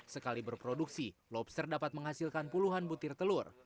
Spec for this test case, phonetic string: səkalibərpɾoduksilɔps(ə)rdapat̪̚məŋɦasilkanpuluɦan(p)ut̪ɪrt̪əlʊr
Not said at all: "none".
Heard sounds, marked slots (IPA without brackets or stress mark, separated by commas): ə, b